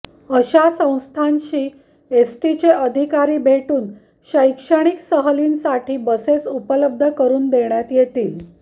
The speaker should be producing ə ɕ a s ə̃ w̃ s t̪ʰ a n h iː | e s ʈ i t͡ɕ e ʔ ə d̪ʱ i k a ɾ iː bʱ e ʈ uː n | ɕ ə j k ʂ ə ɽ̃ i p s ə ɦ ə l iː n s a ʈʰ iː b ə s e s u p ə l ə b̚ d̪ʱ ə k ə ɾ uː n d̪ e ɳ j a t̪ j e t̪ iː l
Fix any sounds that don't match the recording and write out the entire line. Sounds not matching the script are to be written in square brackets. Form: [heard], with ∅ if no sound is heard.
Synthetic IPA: ə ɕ a s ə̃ w̃ s t̪ʰ a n [ɕ] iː | e s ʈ i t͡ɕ e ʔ ə d̪ʱ i k a ɾ iː bʱ e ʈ uː n | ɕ ə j k ʂ ə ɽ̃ i [k] s ə ɦ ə l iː n s a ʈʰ iː b ə s e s u p ə l ə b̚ d̪ʱ ə k ə ɾ uː n d̪ e ɳ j a t̪ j e t̪ iː l